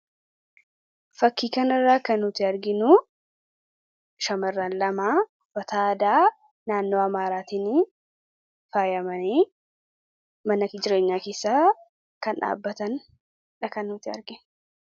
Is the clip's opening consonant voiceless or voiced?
voiceless